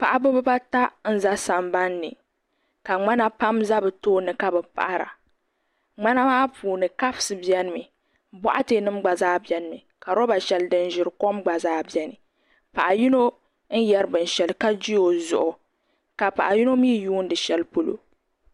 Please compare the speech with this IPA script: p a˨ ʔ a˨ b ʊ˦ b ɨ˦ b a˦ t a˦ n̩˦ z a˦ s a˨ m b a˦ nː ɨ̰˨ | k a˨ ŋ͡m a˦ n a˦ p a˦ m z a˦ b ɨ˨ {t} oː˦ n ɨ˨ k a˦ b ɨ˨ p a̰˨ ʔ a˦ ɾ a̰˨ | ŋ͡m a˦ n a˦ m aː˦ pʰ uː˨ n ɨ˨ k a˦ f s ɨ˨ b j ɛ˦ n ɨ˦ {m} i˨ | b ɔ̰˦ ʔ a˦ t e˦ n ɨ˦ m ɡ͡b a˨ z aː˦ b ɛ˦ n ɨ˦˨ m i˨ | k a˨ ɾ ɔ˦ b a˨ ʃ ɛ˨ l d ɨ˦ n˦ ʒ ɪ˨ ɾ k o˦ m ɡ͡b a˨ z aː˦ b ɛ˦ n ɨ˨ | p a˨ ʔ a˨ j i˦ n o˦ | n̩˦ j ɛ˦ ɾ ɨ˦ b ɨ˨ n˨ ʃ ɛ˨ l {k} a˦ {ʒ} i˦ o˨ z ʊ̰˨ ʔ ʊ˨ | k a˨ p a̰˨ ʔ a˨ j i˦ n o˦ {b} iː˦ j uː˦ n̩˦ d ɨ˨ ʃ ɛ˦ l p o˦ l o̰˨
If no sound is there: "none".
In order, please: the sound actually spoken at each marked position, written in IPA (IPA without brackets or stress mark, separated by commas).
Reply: t, m, k, d͡ʒ, m